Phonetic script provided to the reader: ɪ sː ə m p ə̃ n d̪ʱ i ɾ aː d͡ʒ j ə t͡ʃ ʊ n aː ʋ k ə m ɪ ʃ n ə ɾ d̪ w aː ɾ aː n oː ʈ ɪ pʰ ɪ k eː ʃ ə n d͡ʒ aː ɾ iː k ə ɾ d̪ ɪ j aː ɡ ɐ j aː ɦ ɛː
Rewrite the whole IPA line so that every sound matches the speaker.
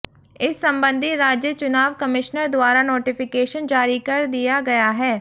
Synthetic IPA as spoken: ɪ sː ə m b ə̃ n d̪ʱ i ɾ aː d͡ʒ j ə t͡ʃ ʊ n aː ʋ k ə m ɪ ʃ n ə ɾ d̪ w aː ɾ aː n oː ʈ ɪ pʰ ɪ k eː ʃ ə n d͡ʒ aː ɾ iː k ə ɾ d̪ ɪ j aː ɡ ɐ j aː ɦ ɛː